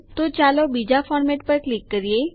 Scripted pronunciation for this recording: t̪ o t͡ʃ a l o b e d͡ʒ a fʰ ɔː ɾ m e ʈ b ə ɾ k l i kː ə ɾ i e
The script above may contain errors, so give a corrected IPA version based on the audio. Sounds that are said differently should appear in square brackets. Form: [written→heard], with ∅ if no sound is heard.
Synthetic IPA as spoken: t̪ o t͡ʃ a l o b [e→i] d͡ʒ a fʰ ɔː ɾ m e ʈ [b→p] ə ɾ k l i kː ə ɾ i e